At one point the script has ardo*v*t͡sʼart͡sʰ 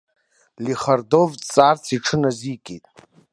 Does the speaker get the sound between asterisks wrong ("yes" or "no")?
no